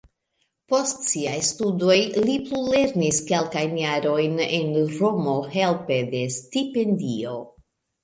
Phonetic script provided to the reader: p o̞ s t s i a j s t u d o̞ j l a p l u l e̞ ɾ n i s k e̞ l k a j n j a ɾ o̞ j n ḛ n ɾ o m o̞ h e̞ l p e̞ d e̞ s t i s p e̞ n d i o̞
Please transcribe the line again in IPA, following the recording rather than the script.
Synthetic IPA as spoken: p o̞ s t s i a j s t u d o̞ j l i p l u l e̞ ɾ n i s k e̞ l k a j n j a ɾ o̞ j n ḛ n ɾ o m o̞ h e̞ l p e̞ d e̞ s t i p e̞ n d i o̞